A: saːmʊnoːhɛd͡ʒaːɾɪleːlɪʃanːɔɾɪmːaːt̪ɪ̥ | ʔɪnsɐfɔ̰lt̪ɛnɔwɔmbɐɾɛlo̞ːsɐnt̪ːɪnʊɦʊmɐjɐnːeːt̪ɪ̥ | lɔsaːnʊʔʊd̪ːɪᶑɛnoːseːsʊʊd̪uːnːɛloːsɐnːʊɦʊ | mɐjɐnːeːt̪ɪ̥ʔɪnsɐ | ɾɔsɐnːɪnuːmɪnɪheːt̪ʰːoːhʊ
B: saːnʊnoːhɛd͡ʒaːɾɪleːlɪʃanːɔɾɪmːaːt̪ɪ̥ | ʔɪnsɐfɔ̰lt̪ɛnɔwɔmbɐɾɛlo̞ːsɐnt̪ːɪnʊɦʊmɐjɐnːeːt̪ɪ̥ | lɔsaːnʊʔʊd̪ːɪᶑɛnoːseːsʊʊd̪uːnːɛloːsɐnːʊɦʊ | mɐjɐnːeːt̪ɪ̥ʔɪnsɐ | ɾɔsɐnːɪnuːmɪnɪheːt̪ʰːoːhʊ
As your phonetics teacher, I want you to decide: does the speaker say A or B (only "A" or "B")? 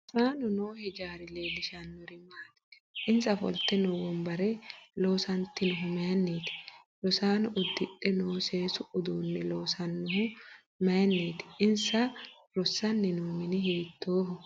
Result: B